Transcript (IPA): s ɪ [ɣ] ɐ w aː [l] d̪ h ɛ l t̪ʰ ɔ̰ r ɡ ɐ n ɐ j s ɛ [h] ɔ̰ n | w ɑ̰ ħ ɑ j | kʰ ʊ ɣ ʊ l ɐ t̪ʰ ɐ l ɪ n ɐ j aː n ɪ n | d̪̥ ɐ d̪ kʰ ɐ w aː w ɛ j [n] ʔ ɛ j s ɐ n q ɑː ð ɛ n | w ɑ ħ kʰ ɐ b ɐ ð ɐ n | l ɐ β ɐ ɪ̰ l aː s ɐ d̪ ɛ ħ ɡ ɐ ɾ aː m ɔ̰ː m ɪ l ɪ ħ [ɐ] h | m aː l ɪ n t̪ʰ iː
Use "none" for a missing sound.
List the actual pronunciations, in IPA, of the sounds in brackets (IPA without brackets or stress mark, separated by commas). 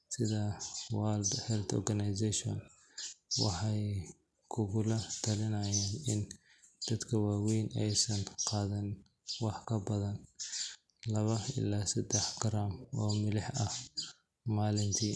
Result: ð, l, ʃ, n, ɐ